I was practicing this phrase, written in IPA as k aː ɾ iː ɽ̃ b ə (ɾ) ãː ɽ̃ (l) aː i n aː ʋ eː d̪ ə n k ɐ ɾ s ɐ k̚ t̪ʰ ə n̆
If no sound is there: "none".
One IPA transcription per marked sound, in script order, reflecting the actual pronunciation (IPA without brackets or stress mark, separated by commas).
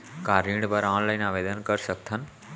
ɾ, l